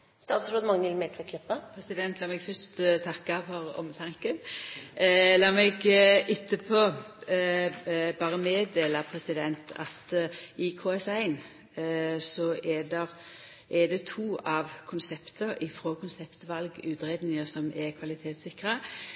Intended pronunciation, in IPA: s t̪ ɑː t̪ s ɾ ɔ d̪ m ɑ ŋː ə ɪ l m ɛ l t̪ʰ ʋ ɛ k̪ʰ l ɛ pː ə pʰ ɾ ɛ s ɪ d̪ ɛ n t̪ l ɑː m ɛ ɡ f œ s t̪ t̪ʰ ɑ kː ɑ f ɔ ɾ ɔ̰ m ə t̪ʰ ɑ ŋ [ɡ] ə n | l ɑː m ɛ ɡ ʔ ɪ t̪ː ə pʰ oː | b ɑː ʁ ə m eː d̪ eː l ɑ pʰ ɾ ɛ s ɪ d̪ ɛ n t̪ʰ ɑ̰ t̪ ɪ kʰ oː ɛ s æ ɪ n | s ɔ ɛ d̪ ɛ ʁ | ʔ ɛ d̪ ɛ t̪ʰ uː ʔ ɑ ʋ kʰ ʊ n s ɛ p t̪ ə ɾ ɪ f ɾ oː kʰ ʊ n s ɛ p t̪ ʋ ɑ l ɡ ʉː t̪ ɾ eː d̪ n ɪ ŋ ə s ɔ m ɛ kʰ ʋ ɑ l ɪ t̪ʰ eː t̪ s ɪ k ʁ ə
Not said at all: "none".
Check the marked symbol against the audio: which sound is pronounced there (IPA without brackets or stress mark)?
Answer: k